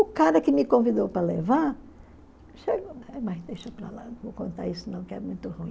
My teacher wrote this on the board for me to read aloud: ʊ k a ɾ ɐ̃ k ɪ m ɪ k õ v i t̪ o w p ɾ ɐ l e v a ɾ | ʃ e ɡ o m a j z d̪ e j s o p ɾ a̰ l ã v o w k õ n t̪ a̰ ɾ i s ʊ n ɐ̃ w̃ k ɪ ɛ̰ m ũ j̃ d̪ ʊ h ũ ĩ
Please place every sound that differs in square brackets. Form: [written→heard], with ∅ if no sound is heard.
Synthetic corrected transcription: ʊ k a ɾ [ɐ̃→ɐ] k ɪ m ɪ k õ v i [t̪→d̪] o w p ɾ ɐ l e v a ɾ | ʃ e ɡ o m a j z d̪ e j [s→ʃ] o p ɾ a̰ l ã v o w k õ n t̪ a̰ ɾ i s ʊ n ɐ̃ w̃ k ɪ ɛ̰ m ũ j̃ [d̪→t̪] ʊ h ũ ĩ